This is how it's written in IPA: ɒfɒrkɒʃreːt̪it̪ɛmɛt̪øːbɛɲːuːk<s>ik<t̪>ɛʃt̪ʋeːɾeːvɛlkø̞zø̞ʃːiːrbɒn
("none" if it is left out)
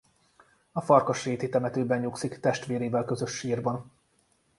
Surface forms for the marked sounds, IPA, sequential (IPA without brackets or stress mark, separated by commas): s, t̪